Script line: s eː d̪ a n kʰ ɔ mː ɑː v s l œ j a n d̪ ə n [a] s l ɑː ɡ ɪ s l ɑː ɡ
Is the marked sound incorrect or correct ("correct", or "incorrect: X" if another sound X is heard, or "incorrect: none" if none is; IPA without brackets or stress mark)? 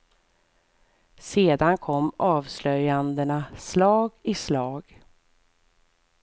correct